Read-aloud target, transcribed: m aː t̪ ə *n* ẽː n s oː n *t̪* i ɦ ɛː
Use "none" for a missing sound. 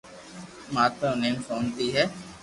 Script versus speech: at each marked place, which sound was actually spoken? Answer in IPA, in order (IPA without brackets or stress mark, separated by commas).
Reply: n, t̪